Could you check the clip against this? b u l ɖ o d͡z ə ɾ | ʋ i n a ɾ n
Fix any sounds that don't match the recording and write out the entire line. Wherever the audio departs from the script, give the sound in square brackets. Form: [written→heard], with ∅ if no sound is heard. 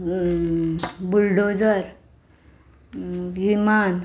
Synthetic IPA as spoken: b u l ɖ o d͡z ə ɾ | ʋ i [n→m] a [ɾ→∅] n